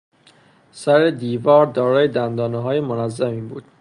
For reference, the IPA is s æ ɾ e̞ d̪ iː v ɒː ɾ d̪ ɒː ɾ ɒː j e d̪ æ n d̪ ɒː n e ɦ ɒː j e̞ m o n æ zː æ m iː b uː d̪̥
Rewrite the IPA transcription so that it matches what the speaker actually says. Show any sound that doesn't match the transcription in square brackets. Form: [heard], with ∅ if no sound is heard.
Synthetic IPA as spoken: s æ ɾ e̞ d̪ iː v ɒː ɾ d̪ ɒː ɾ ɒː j e d̪ æ n d̪ ɒː n e ɦ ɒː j e̞ m o n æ zː æ m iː b uː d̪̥